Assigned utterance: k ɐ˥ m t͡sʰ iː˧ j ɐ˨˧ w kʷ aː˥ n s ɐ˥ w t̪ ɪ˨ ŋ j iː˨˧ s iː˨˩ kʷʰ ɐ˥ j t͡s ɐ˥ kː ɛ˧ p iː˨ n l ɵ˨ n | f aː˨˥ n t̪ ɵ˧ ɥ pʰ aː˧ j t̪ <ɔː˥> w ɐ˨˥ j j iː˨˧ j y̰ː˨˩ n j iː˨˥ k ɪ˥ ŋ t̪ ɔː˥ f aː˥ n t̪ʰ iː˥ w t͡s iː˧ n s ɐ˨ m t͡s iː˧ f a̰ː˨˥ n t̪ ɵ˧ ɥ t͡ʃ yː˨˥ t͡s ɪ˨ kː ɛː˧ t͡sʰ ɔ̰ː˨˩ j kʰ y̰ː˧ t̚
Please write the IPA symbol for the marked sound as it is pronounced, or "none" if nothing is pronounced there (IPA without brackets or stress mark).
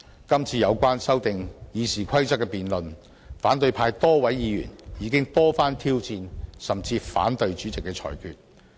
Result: ɔː˥